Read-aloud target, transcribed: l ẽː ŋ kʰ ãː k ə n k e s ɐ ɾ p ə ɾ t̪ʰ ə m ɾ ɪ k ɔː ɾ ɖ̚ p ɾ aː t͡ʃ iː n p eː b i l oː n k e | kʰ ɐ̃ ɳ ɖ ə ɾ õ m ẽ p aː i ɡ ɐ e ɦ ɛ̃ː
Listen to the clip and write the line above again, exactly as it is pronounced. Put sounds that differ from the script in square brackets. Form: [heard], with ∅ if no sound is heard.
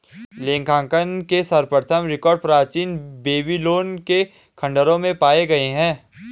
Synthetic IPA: l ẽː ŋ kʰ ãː k ə n k e s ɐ ɾ p ə ɾ t̪ʰ ə m ɾ ɪ k ɔː ɾ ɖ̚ p ɾ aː t͡ʃ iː n [b] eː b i l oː n k e | kʰ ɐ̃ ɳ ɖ ə ɾ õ m ẽ p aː [e] ɡ ɐ e ɦ ɛ̃ː

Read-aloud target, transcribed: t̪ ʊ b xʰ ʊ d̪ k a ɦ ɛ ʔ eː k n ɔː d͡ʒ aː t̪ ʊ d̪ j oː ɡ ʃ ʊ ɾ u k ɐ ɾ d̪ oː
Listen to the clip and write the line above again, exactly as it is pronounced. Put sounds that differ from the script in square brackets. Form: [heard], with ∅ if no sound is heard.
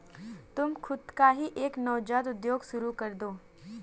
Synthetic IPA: t̪ ʊ [m] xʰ ʊ d̪ k a ɦ [i] ʔ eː k n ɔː d͡ʒ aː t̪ ʊ d̪ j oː ɡ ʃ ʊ ɾ u k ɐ ɾ d̪ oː

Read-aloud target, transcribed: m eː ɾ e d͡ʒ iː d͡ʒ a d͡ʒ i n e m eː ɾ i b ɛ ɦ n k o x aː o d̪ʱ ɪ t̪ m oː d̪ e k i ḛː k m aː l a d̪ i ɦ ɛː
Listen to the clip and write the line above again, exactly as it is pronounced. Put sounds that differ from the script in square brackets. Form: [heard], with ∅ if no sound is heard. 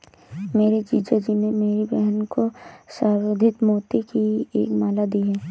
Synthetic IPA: m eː ɾ e d͡ʒ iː d͡ʒ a d͡ʒ i n e m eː ɾ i b ɛ ɦ n k o [s] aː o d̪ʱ ɪ t̪ m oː [t̪] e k i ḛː k m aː l a d̪ i ɦ ɛː

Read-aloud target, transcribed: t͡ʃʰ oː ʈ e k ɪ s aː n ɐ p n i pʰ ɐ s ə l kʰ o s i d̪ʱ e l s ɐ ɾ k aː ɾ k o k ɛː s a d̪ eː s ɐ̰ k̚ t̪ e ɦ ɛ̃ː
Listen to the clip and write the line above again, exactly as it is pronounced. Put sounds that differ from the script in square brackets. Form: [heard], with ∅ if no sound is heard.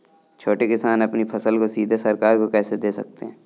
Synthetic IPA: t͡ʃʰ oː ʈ e k ɪ s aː n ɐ p n i pʰ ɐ s ə l [k] o s [iː] d̪ʱ e [∅] s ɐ ɾ k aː ɾ k o k ɛː s [e] d̪ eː s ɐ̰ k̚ t̪ e ɦ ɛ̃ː

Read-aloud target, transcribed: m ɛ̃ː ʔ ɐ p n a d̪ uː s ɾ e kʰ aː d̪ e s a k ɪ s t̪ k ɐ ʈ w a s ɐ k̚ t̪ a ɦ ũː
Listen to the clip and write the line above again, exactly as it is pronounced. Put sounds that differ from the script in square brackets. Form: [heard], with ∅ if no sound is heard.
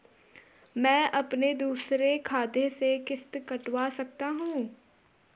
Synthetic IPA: m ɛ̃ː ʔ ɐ p n [e] d̪ uː s ɾ e kʰ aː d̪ e s [e] k ɪ s t̪ k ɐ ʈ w a s ɐ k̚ t̪ a ɦ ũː

